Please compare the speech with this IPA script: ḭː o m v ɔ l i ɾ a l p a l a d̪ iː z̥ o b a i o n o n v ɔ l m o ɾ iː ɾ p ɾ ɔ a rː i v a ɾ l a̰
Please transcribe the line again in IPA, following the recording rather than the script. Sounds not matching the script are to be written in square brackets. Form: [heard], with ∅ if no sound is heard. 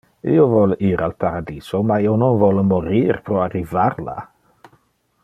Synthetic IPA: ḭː o [∅] v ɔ l i ɾ a l p a [ɾ] a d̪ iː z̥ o [m] a i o n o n v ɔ l m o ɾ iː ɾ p ɾ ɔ a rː i v a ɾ l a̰